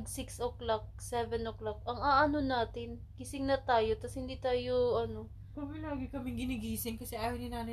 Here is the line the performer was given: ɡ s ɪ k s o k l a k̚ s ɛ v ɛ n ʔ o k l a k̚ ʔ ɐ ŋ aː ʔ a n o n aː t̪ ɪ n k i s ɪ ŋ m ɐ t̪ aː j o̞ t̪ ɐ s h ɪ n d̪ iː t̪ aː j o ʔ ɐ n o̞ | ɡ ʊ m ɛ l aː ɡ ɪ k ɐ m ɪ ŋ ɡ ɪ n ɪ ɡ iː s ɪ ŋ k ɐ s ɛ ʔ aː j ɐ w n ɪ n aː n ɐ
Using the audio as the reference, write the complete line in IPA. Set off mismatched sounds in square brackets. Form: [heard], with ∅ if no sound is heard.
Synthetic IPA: ɡ s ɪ k s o k l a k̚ s ɛ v ɛ n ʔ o k l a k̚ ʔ ɐ ŋ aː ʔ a n o n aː t̪ ɪ n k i s ɪ ŋ [n] ɐ t̪ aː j o̞ t̪ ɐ s h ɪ n d̪ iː t̪ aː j o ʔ ɐ n o̞ | [k] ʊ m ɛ l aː ɡ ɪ k ɐ m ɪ ŋ ɡ ɪ n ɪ ɡ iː s ɪ ŋ k ɐ s ɛ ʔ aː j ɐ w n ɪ n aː n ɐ